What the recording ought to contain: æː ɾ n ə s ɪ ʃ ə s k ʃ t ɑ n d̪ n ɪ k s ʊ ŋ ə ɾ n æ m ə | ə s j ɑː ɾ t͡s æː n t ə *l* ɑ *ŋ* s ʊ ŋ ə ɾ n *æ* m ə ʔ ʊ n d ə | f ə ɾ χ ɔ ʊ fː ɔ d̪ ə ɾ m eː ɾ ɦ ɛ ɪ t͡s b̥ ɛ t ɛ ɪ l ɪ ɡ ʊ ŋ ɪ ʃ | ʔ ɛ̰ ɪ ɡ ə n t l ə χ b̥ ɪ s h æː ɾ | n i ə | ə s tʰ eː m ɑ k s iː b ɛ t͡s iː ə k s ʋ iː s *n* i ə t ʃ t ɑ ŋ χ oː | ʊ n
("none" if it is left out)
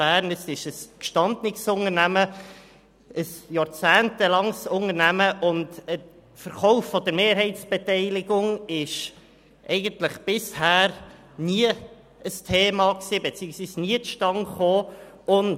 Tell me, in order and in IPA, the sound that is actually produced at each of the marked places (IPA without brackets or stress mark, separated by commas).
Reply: l, ŋ, æ, n